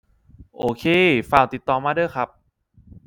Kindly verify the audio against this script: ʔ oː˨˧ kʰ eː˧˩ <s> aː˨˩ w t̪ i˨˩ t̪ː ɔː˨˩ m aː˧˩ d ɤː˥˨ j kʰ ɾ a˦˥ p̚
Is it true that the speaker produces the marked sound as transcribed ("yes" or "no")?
no